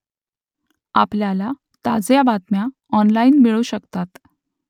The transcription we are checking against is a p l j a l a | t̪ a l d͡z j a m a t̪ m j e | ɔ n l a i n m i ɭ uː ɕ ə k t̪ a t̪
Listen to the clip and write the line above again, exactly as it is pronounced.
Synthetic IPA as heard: a p l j a l a | t̪ a d͡z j a b a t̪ m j a | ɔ n l a i n m i ɭ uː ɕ ə k t̪ a t̪